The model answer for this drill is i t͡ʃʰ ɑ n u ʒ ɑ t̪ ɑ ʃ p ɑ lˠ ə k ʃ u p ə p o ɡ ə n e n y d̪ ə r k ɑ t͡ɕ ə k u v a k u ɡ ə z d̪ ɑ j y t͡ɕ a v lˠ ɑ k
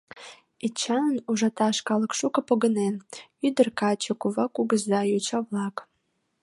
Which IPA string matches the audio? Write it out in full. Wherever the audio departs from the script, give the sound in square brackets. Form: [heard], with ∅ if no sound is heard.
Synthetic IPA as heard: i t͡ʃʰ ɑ n u ʒ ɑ t̪ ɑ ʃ [k] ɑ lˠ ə k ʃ u [k] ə p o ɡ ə n e n y d̪ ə r k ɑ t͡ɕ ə k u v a k u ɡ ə z d̪ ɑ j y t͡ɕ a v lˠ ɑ k